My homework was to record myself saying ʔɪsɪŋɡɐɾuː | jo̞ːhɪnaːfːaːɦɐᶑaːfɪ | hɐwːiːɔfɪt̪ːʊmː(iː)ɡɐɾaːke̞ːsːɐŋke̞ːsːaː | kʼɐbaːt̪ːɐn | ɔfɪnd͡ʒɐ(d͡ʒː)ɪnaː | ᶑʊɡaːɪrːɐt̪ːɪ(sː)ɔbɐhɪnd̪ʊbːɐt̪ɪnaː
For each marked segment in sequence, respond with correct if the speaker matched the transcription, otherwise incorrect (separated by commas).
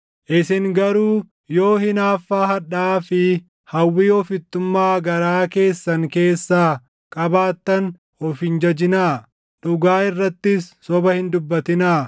incorrect, incorrect, correct